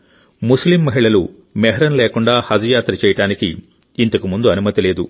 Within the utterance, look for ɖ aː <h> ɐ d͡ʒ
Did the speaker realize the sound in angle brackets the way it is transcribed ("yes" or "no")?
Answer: yes